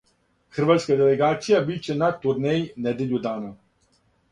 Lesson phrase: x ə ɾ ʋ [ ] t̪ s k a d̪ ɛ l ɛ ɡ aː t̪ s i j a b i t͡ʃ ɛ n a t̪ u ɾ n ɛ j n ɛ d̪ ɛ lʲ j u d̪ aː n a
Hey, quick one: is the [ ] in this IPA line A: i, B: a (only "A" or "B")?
B